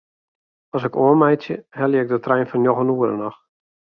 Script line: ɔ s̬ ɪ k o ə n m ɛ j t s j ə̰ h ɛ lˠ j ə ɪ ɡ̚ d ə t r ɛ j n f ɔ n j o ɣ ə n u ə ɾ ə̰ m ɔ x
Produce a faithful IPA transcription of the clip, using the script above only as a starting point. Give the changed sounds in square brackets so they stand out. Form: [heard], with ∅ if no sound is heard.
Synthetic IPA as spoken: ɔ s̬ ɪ k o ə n m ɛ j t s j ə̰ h ɛ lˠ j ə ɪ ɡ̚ d ə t r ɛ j n f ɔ n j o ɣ ə n u ə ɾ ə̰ [n] ɔ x